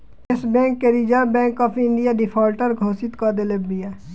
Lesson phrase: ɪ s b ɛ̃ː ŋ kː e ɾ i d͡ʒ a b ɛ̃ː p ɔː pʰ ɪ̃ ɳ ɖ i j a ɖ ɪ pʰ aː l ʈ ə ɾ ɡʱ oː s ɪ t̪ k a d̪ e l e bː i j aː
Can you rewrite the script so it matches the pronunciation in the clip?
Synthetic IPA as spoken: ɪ s b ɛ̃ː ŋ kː e ɾ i d͡ʒ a b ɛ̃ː k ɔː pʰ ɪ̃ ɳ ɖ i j a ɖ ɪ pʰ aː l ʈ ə ɾ ɡʱ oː s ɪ t̪ k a d̪ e l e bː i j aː